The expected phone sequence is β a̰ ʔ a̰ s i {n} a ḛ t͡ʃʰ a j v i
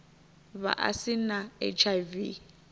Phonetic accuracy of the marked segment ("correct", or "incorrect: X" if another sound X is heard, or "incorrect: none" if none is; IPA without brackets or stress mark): correct